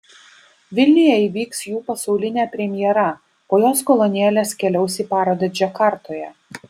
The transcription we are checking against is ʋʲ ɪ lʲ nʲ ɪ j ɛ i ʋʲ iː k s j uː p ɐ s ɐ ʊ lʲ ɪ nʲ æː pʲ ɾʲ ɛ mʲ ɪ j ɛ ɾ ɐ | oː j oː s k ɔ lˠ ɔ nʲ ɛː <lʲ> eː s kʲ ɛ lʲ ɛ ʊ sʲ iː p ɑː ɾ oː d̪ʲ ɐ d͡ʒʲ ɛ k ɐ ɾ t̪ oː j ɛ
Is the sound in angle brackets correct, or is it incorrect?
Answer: correct